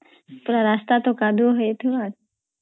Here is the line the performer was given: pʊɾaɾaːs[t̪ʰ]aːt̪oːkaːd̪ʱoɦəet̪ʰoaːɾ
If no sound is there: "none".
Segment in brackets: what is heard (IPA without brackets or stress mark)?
t̪